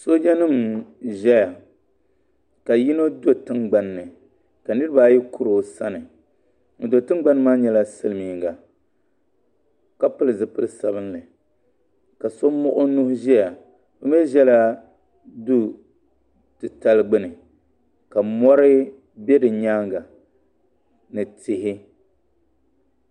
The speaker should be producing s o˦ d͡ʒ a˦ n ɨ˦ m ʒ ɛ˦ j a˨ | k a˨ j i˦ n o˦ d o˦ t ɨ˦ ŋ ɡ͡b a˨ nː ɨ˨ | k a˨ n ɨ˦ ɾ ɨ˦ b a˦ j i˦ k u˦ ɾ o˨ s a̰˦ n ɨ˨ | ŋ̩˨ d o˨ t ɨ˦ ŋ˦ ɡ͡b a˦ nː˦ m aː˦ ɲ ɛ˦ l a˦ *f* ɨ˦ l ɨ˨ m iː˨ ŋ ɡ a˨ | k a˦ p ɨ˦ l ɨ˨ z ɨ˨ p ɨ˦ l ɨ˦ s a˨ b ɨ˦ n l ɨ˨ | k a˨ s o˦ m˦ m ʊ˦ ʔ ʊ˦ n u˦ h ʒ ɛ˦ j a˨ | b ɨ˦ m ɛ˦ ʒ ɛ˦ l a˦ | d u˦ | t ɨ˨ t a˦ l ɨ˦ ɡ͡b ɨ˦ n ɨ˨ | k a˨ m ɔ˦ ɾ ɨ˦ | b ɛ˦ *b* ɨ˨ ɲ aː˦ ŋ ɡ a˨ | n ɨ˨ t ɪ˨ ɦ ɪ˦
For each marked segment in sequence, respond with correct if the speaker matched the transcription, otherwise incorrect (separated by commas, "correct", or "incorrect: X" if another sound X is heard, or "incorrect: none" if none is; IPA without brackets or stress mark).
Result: incorrect: s, incorrect: d